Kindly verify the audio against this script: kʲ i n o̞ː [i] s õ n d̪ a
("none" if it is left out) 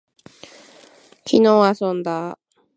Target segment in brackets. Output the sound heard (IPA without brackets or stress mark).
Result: a